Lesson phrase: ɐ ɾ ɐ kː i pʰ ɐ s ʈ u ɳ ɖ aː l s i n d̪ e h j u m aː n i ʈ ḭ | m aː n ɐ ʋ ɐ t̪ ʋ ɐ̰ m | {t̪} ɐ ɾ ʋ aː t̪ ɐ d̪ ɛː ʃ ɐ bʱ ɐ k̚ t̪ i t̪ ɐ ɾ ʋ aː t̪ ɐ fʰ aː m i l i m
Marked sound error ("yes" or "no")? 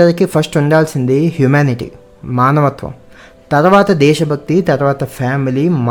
no